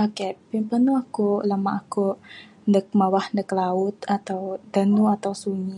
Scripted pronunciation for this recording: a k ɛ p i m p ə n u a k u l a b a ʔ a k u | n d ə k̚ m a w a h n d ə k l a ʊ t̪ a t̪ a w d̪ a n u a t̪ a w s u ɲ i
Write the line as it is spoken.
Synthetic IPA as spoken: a k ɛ p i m p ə n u a k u l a m a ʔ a k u | n d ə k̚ m a w a h n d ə k l a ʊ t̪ a t̪ a w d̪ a n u a t̪ a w s u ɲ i